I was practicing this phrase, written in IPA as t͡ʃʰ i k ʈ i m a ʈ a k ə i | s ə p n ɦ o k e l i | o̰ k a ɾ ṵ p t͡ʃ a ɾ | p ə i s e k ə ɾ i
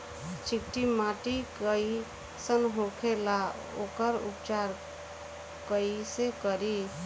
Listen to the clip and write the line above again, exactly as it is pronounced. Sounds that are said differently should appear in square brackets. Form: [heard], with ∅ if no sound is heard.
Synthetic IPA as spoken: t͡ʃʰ i k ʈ i m a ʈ [i] k ə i | s ə [∅] n ɦ o [kʰ] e l [a] | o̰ k [ə] ɾ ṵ p t͡ʃ a ɾ | [k] ə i s e k ə ɾ i